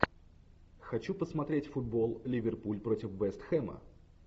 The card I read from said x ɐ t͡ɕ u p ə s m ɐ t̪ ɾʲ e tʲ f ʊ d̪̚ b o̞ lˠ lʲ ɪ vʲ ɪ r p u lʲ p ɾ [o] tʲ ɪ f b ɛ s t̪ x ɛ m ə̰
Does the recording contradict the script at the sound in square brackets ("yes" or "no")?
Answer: no